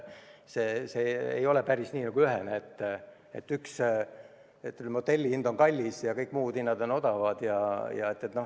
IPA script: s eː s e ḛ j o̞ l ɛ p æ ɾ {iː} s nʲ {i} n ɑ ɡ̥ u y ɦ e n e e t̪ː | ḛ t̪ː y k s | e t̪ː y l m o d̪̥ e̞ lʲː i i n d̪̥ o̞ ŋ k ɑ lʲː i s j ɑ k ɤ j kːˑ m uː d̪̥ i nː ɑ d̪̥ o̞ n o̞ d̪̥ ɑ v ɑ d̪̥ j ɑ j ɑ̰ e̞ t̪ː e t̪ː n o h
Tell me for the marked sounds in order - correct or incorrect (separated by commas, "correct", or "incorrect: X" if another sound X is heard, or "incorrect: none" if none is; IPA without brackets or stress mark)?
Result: incorrect: i, incorrect: iː